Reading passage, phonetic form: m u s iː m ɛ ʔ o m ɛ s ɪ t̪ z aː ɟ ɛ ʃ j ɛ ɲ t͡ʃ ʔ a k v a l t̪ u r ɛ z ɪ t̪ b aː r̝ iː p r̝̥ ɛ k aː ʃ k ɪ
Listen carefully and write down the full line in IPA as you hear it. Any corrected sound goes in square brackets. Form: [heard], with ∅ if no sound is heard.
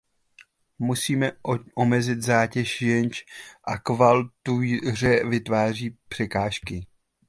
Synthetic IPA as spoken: m u s iː m ɛ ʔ o m ɛ [z] ɪ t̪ z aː [c] ɛ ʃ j ɛ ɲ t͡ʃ ʔ a k v a l t̪ u r ɛ [v] ɪ t̪ [v] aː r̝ iː p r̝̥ ɛ k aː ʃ k ɪ

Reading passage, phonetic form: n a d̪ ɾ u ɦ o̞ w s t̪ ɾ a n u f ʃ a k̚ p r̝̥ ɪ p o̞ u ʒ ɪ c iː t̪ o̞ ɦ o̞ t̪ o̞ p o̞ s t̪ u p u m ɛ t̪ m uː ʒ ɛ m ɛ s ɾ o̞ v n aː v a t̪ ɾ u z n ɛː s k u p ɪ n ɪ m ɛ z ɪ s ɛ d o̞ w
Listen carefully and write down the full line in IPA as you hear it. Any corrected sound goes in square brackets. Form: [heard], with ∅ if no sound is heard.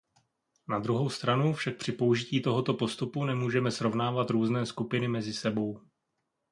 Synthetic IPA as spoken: n a d̪ ɾ u ɦ o̞ w s t̪ ɾ a n u f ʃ a k̚ p r̝̥ ɪ p o̞ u ʒ ɪ c iː t̪ o̞ ɦ o̞ t̪ o̞ p o̞ s t̪ u p u [n] ɛ [∅] m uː ʒ ɛ m ɛ s ɾ o̞ v n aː v a t̪ ɾ [uː] z n ɛː s k u p ɪ n ɪ m ɛ z ɪ s ɛ [b] o̞ w

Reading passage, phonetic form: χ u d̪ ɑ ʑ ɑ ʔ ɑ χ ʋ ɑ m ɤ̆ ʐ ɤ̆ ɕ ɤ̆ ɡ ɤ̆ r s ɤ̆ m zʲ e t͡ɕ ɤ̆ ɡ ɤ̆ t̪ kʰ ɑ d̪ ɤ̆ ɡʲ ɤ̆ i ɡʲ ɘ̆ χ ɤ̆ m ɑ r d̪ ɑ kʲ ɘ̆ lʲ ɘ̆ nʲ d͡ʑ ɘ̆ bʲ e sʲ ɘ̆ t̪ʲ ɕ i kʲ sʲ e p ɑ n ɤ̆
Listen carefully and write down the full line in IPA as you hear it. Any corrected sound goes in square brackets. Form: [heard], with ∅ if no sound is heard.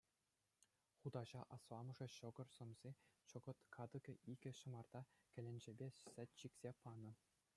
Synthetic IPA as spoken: χ u d̪ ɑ ʑ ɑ ʔ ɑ [s] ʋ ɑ m ɤ̆ ʐ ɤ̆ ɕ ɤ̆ ɡ ɤ̆ r s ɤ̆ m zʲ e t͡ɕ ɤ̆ ɡ ɤ̆ t̪ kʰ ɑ d̪ ɤ̆ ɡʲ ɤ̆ i ɡʲ ɘ̆ [ɕ] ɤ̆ m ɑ r d̪ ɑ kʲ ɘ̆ lʲ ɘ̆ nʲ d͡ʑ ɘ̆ bʲ e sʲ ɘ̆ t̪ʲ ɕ i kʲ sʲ e p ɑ n ɤ̆

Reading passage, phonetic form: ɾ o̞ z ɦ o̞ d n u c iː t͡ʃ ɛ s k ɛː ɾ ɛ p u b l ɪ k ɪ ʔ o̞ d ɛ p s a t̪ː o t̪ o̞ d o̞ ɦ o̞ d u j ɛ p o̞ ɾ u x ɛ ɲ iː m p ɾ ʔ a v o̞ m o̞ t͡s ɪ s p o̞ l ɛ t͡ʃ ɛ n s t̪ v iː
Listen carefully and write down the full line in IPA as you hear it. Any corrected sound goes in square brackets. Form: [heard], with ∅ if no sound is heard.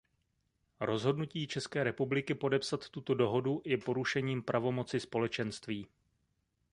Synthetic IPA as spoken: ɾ o̞ z ɦ o̞ d n u c iː t͡ʃ ɛ s k ɛː ɾ ɛ p u b l ɪ k ɪ [p] o̞ d ɛ p s a t̪ː [u] t̪ o̞ d o̞ ɦ o̞ d u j ɛ p o̞ ɾ u [ʃ] ɛ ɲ iː m p ɾ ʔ a v o̞ m o̞ t͡s ɪ s p o̞ l ɛ t͡ʃ ɛ n s t̪ v iː

